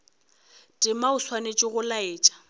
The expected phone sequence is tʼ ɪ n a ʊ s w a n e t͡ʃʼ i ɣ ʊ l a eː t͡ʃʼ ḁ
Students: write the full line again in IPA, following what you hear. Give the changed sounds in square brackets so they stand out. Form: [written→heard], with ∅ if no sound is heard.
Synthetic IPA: tʼ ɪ [n→m] a ʊ s w a n e t͡ʃʼ [i→ɪ] ɣ ʊ l a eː t͡ʃʼ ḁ